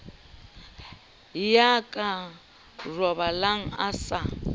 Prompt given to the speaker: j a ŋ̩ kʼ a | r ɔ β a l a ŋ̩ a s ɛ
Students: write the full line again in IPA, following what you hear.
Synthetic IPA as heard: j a kʼ a | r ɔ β a l a ŋ̩ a s a

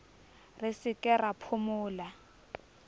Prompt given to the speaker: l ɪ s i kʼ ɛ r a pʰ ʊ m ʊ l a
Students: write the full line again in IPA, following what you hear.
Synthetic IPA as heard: r ɪ s ɪ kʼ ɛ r a pʰ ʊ m ʊː l a

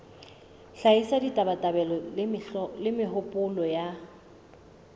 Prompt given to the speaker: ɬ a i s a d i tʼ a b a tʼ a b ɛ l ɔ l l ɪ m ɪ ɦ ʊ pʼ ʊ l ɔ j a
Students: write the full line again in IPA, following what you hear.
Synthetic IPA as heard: ɬ a i s a d i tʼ a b a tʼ a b ɛ l ɔ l l ɪ m ɪ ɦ ʊ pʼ ʊ l ɔ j a

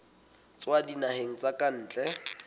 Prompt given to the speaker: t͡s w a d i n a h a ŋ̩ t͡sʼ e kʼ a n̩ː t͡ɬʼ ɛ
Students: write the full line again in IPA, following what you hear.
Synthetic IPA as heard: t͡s w a d i n a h e ŋ̩ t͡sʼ a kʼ a n̩ː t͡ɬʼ ɛ

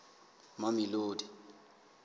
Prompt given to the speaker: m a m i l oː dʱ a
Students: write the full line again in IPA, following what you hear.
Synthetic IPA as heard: m a m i l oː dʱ i

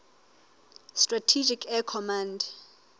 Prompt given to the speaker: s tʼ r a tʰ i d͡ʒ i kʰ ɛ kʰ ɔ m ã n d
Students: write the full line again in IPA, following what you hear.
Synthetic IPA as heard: s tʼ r a tʰ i d͡ʒ i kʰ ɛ kʰ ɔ m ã n d

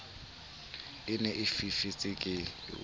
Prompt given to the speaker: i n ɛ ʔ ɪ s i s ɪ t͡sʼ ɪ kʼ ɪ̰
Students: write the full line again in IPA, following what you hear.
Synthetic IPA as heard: ɪ n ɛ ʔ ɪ f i f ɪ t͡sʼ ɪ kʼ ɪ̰

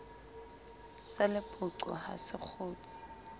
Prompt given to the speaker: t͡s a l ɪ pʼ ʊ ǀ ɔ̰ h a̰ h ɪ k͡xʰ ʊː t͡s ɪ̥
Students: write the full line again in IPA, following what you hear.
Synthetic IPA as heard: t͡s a l ɪ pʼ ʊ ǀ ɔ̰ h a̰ s ɪ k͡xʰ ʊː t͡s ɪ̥

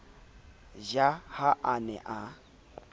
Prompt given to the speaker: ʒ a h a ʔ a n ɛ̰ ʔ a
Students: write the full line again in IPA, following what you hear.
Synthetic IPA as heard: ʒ a h a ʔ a n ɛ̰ ʔ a

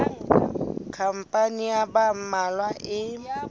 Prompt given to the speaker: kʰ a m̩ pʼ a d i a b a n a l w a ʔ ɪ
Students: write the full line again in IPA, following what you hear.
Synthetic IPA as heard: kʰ a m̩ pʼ a n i a b a m a l w a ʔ ɪ

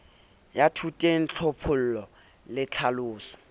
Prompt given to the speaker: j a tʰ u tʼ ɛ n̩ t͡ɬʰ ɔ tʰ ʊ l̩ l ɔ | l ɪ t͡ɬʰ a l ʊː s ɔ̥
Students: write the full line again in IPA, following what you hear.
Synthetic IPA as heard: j a tʰ u tʼ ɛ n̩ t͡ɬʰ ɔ pʰ ʊ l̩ l ɔ | l ɪ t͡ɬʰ a l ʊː s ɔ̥

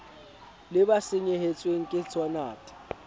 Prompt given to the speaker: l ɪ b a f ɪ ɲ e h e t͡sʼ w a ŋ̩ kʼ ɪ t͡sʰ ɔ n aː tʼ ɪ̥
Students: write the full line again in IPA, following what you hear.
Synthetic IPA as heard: l ɪ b a s ɪ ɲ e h e t͡sʼ w e ŋ̩ kʼ ɪ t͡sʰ ɔ n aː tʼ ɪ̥

